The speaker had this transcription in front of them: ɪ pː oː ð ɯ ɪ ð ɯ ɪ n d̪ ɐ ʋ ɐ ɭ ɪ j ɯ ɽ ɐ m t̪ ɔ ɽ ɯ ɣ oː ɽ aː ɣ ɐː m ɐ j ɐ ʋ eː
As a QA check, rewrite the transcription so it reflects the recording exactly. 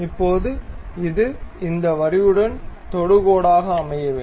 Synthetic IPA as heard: ɪ pː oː ð ɯ ɪ ð ɯ ɪ n d̪ ɐ ʋ ɐ ɾ ɪ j ɯ ɽ ɐ n t̪ ɔ ɽ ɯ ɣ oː ɽ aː ɣ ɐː m ɐ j ɐ ʋ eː